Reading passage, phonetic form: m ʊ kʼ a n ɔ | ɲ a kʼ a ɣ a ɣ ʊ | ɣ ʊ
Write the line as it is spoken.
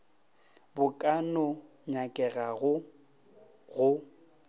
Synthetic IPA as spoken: b ʊ kʼ a n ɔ | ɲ a kʼ ɛ ɣ a ɣ ʊ | ɣ ʊ

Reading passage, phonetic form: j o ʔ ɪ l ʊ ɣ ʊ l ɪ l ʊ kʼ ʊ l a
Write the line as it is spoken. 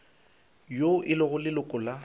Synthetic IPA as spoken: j o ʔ ɪ l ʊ ɣ ʊ l ɪ l ʊ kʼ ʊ l a

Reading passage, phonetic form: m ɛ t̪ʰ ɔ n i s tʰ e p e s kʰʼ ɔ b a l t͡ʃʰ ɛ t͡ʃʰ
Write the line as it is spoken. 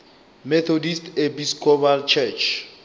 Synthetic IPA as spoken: m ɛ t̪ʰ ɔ d i s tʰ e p i s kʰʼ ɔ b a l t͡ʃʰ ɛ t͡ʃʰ

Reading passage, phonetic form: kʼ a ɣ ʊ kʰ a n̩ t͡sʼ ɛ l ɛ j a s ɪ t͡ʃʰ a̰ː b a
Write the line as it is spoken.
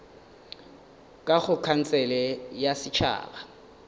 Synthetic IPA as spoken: kʼ a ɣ ʊ kʰ a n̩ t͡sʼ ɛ l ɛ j a s ɪ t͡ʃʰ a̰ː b a

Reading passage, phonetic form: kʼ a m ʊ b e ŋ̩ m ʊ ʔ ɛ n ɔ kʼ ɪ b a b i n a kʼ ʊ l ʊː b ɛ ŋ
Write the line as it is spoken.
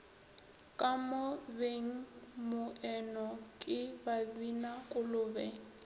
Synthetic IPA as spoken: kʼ a m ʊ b e ŋ̩ m ʊ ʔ ɛ n ɔ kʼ ɪ b a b i n a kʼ ʊ l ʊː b ɛ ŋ

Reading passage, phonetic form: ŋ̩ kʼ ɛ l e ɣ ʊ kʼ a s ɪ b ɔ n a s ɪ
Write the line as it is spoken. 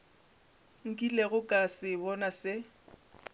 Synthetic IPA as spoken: ŋ̩ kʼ i l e ɣ ʊ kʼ a s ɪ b ɔ n a s ɪ

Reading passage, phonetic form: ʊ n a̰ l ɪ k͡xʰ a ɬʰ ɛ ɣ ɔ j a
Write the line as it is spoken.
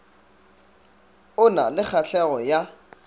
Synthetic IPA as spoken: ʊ n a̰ l ɪ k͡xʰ a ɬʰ ɛ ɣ ɔ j a

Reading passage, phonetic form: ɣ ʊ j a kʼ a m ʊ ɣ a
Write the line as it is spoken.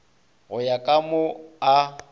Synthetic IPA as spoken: ɣ ʊ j a kʼ a m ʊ a

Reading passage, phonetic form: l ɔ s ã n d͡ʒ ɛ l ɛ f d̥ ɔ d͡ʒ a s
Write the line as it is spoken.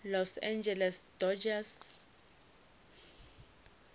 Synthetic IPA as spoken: l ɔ s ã n d͡ʒ ɛ l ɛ s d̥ ɔ d͡ʒ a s

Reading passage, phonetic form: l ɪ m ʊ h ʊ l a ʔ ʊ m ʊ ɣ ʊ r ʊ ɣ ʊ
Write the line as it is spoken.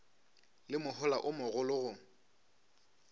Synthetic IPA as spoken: l ɪ m ʊ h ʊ l a ʔ ʊ m ʊ ɣ ʊ l ʊ ɣ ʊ

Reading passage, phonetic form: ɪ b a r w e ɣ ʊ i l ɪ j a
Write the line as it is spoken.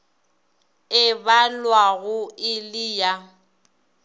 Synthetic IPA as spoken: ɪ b a l w a ɣ ʊ ɪ l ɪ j a

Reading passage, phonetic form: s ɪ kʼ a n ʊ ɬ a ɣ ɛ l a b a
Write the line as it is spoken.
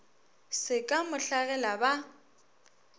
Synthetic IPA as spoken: s ɪ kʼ a m ʊ ɬ a ɣ ɛ l a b a

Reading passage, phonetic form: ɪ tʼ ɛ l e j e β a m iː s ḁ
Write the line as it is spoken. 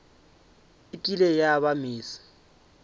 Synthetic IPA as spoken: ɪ tʼ i l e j a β a m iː s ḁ

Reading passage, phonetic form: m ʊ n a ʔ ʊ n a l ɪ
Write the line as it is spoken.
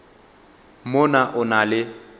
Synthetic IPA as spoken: m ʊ n a ʔ ʊ n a l ɪ

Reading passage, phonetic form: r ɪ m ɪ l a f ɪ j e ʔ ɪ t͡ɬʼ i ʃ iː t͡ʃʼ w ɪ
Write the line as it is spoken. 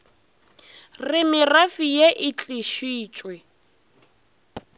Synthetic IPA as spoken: r ɪ m ɪ r a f i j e ʔ ɪ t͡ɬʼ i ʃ iː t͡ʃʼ w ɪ

